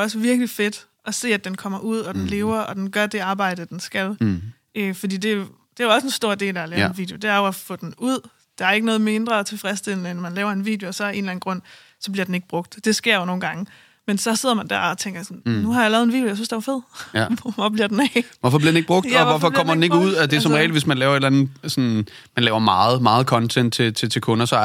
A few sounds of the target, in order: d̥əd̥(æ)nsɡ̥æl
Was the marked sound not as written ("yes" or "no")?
yes